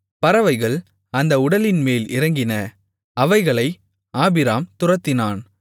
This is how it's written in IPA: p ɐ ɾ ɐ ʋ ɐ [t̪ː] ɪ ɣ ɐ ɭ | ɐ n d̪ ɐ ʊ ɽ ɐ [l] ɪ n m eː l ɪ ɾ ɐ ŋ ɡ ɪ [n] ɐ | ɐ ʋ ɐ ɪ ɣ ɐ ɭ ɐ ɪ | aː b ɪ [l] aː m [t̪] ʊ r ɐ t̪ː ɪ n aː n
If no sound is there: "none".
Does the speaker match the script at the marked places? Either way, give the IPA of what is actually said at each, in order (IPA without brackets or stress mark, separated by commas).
none, l, n, ɾ, t̪